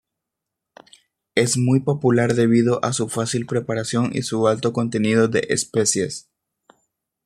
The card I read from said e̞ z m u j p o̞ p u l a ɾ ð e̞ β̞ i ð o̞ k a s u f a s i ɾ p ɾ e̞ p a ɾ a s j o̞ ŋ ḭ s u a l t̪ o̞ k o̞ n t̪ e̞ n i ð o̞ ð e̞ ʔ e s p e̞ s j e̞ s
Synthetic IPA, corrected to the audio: e̞ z m u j p o̞ p u l a ɾ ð e̞ β̞ i ð o̞ ʔ a s u f a s i l p ɾ e̞ p a ɾ a s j o̞ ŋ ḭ s u a l t̪ o̞ k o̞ n t̪ e̞ n i ð o̞ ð e̞ ʔ e s p e̞ s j e̞ s